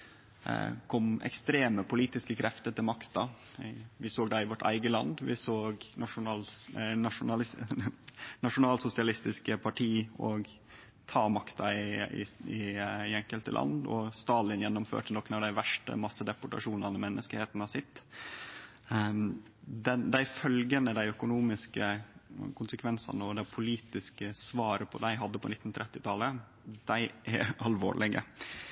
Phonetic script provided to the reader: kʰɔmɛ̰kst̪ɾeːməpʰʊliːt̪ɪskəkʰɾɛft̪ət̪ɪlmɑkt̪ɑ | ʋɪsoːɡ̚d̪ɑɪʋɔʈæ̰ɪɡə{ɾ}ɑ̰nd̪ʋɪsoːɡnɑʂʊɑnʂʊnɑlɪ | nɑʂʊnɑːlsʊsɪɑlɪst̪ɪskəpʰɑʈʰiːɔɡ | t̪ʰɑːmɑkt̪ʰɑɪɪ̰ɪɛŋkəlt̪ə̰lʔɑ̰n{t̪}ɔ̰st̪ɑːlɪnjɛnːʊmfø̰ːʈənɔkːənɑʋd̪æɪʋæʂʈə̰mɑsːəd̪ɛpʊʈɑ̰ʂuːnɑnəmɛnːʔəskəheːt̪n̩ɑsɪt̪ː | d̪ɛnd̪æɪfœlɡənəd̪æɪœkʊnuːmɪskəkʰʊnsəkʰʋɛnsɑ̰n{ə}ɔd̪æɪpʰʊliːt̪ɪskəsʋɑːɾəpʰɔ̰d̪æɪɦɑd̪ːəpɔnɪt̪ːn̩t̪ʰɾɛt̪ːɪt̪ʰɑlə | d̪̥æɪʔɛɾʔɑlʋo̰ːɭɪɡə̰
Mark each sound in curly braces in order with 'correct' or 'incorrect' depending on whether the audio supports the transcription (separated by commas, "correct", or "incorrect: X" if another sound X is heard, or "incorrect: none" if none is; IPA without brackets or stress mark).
incorrect: l, incorrect: d̪, correct